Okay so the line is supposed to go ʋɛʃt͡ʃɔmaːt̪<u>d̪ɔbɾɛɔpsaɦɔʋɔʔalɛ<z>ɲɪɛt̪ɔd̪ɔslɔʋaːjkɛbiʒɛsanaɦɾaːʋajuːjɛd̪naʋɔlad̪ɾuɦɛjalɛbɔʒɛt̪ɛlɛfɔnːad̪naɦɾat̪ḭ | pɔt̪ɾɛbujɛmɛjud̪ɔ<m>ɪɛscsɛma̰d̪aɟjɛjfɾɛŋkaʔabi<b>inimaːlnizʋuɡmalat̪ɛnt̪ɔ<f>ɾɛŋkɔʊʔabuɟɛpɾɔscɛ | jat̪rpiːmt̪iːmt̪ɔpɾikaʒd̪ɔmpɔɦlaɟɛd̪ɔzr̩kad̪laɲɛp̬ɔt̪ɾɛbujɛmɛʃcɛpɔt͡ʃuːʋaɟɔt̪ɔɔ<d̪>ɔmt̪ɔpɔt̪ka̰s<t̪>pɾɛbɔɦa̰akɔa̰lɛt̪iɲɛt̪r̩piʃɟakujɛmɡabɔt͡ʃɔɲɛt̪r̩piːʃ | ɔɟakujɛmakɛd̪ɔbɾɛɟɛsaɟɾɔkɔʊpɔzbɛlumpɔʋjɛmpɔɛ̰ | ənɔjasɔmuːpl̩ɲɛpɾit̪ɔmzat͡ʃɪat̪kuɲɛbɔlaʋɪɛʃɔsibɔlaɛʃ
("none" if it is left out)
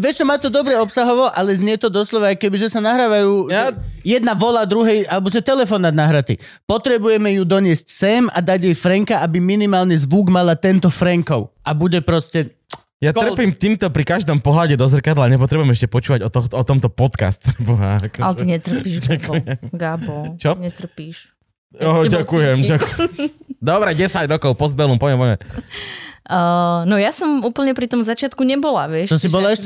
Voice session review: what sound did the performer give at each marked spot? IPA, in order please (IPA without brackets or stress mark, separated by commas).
ɔ, z, ɲ, m, f, t̪, t̪